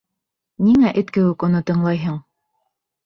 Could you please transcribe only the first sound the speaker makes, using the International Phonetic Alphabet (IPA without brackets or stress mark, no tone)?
n